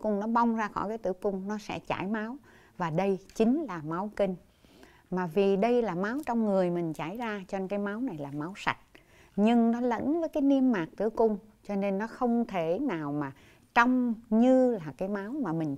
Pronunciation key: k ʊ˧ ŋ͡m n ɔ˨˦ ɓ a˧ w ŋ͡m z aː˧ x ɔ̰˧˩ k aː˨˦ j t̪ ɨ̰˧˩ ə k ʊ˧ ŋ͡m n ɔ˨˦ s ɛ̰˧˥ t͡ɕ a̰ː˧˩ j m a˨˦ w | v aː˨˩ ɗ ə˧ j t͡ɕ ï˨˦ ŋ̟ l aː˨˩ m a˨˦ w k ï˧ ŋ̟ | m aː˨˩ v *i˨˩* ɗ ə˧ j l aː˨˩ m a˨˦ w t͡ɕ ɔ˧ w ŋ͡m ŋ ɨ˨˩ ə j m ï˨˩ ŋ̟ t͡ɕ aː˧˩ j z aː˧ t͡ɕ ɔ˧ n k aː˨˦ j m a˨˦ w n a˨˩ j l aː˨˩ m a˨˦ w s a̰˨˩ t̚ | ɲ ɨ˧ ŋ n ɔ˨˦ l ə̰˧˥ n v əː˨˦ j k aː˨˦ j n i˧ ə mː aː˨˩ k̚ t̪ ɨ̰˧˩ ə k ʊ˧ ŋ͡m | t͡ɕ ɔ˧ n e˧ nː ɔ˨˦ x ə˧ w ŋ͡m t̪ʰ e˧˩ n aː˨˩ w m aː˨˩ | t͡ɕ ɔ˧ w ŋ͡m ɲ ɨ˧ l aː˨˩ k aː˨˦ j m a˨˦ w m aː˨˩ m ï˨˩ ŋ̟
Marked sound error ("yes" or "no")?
no